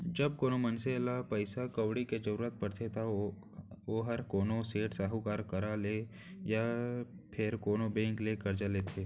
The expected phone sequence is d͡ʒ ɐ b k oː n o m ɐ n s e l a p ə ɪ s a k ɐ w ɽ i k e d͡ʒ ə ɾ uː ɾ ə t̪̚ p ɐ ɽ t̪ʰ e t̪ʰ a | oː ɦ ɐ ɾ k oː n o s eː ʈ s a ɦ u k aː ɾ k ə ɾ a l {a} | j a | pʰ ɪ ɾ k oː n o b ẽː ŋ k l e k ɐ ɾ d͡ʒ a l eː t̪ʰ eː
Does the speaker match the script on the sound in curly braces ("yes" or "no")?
no